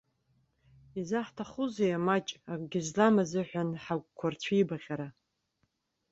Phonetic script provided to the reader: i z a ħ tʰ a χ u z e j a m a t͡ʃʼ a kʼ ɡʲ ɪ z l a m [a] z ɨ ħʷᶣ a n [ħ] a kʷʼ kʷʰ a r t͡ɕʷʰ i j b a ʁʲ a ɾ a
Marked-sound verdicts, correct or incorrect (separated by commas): correct, correct